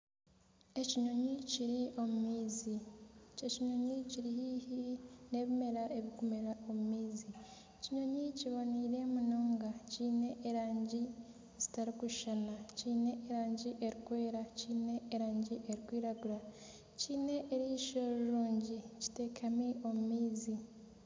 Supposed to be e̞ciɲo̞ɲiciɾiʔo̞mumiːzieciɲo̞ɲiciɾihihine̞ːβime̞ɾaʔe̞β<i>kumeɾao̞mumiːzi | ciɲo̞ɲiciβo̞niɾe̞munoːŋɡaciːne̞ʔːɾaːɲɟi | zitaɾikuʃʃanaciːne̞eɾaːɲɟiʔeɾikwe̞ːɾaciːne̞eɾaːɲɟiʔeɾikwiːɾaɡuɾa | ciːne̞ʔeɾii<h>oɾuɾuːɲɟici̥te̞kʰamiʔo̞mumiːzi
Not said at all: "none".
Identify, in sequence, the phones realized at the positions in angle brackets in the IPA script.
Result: i, ʃ

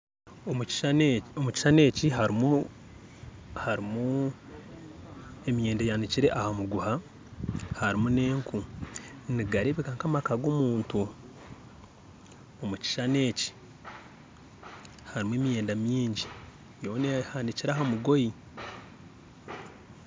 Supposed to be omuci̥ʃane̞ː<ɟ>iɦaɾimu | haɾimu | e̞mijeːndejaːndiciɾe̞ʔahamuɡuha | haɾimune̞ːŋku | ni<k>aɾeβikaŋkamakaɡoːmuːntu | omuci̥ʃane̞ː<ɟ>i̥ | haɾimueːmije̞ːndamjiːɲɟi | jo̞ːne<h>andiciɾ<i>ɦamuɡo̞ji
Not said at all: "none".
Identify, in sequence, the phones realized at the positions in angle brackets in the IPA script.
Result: c, ɡ, c, h, a

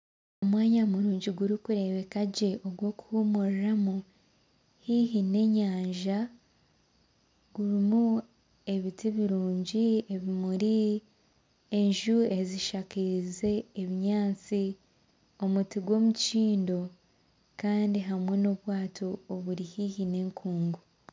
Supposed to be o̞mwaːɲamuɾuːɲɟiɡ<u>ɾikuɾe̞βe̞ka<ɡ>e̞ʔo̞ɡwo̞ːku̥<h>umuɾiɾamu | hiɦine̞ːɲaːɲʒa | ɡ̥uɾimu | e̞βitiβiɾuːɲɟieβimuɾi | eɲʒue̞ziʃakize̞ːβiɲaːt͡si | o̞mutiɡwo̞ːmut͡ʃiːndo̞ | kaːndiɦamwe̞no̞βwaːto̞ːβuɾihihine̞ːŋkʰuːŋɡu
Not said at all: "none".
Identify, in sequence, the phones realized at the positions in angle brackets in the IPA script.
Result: u, ɟ, h

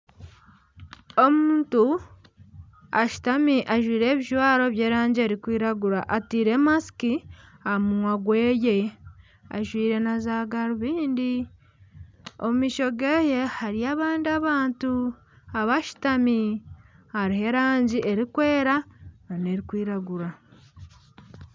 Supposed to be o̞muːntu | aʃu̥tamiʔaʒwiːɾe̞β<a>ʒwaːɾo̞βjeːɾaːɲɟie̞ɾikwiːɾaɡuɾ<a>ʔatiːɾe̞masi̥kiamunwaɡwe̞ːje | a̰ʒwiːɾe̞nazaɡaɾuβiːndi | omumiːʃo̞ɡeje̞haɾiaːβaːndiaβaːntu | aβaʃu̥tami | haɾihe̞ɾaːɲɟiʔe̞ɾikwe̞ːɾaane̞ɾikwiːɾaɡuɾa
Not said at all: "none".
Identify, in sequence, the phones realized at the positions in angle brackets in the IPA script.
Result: i, a

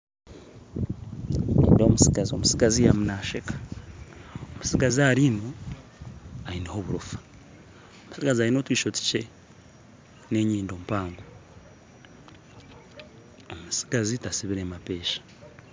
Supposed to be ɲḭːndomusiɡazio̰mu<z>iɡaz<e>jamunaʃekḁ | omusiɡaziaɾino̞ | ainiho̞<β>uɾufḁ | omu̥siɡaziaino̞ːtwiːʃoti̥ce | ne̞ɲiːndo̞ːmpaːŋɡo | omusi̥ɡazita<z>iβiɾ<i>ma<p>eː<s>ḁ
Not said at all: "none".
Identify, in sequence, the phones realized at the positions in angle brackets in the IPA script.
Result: s, i, β, s, e, p, ʃ

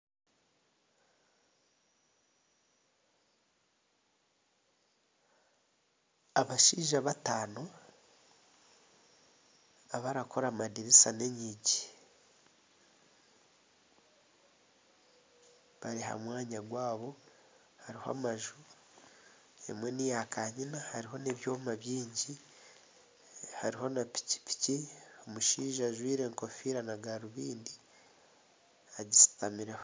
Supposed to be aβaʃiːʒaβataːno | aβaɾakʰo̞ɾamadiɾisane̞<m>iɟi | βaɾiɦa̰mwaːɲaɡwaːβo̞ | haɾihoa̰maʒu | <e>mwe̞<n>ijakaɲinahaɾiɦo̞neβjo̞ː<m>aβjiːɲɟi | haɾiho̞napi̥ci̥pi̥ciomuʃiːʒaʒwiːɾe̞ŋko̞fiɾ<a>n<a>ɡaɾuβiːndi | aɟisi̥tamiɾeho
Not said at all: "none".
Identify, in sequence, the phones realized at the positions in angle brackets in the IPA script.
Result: ɲ, e, n, m, a, a

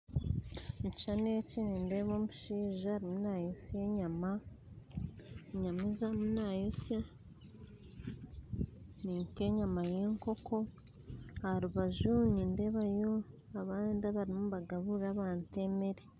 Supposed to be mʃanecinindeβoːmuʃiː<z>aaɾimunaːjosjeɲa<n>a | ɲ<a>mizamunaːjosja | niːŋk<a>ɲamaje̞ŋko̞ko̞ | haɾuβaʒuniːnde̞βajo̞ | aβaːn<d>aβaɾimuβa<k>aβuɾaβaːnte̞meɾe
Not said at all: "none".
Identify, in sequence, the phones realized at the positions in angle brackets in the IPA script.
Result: ʒ, m, a, e, d, ɡ

